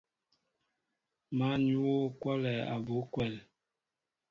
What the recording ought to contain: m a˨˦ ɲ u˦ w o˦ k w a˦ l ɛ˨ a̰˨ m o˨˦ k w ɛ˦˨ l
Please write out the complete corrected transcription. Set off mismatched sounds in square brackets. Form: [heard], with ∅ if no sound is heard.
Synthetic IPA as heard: m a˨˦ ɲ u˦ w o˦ k w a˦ l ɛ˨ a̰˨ [b] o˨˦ k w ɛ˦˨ l